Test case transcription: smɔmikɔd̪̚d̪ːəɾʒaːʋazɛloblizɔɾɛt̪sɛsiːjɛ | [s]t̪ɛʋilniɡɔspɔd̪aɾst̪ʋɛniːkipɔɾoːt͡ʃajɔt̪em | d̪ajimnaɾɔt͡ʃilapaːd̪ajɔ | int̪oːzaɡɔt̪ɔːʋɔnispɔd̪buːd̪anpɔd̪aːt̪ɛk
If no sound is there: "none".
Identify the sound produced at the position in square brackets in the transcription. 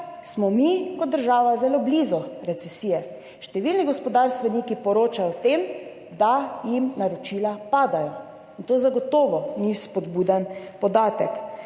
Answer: ʃ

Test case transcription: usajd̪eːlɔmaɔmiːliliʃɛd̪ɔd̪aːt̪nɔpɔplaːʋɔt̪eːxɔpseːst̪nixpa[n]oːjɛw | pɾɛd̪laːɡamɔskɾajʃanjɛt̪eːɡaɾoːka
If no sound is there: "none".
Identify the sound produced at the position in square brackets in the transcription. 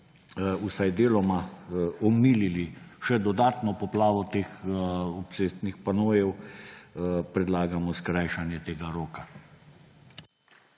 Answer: n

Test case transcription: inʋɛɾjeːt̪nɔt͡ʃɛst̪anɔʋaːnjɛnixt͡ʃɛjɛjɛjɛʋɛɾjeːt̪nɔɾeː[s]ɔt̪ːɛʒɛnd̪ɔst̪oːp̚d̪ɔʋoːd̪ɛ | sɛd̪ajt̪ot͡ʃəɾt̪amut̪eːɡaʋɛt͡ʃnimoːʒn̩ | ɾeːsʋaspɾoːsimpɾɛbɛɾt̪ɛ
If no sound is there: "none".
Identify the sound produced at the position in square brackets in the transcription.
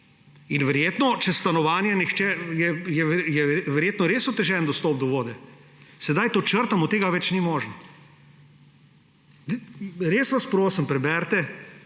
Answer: s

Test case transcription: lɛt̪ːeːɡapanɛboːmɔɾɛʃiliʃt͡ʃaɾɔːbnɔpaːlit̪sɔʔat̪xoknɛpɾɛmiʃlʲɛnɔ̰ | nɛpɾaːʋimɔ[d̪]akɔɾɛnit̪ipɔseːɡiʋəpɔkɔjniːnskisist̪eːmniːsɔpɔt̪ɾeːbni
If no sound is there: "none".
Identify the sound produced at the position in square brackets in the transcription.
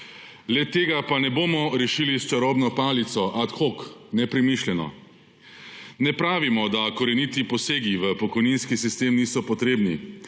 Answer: d̪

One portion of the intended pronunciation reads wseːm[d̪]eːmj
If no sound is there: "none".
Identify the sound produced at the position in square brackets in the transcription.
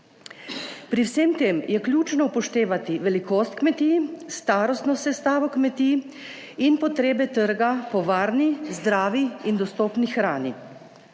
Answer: t̪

